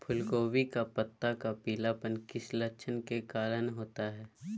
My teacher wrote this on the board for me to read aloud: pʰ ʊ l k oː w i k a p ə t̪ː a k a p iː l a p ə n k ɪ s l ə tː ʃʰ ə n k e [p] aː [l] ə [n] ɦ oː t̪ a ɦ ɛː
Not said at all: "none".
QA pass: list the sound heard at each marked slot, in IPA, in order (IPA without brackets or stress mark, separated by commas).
k, l, n